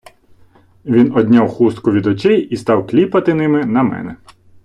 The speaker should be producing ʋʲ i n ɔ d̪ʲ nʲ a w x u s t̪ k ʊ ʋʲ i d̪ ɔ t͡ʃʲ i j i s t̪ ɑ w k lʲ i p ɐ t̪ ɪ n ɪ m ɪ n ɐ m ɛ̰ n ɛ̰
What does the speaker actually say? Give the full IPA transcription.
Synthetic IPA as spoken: ʋʲ i n ɔ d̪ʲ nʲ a w x u s t̪ k ʊ ʋʲ i d̪ ɔ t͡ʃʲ ɛ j i s t̪ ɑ w k lʲ i p ɐ t̪ ɪ n ɪ m ɪ n ɐ m ɛ̰ n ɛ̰